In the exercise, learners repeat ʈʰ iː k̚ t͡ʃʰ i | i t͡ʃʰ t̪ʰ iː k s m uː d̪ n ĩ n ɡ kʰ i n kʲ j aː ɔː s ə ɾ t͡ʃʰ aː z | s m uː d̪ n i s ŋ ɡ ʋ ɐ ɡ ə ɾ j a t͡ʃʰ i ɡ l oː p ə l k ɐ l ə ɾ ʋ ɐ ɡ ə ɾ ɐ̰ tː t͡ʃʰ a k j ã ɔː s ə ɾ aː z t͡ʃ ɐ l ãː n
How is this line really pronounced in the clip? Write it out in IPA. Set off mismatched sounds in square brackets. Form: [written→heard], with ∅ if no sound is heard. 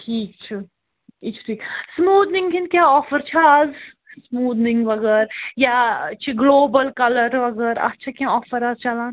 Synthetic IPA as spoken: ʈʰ iː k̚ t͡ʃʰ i | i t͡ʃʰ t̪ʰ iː k s m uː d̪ n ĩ [n→ŋ] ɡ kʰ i n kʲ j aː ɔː [s→f] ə ɾ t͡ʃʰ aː z | s m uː d̪ n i [s→∅] ŋ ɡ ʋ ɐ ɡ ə ɾ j a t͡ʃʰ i ɡ l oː [p→b] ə l k ɐ l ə ɾ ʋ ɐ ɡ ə ɾ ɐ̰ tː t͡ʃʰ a k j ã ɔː [s→f] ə ɾ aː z t͡ʃ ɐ l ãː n